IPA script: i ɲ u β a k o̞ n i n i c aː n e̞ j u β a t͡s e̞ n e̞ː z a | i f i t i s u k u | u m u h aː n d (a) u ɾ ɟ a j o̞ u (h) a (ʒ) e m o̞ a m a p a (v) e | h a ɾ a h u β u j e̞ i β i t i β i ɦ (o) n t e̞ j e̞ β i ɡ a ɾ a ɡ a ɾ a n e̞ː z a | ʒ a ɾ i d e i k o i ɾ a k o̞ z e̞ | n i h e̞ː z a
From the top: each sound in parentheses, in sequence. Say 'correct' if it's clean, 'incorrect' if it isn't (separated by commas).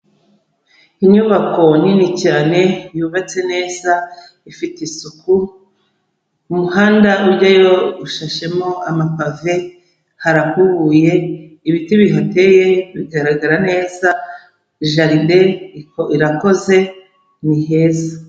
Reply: correct, incorrect, incorrect, correct, correct